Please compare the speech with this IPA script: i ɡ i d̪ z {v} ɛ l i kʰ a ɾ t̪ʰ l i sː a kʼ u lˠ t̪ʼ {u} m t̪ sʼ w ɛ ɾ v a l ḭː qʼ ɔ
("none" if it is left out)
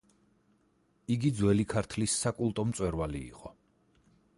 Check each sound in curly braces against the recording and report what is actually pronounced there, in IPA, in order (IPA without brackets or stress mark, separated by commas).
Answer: w, ɔ